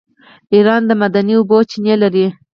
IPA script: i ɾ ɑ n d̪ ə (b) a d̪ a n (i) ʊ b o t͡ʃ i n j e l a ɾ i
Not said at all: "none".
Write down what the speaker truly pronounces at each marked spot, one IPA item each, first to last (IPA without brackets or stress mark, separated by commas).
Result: m, i